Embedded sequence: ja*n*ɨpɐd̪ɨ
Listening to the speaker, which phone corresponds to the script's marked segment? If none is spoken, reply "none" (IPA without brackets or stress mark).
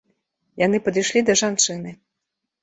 n